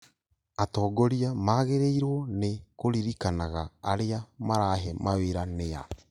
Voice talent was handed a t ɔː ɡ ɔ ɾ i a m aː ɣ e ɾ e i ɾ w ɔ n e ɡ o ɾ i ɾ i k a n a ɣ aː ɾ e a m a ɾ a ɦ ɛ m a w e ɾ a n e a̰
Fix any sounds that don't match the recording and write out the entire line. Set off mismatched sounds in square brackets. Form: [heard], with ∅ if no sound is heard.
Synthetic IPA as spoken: a t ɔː ɡ ɔ ɾ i a m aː ɣ e ɾ e i ɾ w ɔ n e [k] o ɾ i ɾ i k a n a ɣ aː ɾ e a m a ɾ a ɦ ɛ m a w e ɾ a n e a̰